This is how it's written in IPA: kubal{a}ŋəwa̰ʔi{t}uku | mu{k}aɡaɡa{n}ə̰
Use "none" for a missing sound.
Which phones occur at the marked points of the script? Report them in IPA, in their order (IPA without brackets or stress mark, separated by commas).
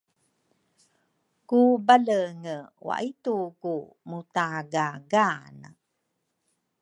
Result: ə, t, t, n